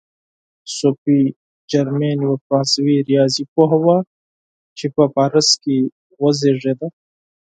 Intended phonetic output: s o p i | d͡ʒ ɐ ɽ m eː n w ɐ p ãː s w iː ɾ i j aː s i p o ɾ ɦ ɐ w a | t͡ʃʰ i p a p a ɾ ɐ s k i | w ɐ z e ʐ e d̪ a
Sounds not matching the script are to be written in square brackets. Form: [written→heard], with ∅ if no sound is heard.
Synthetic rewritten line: s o p i | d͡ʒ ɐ [ɽ→ɾ] m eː n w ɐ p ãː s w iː ɾ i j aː [s→z] i p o [ɾ→∅] ɦ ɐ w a | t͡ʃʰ i p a p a ɾ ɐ s k i | w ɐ z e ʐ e d̪ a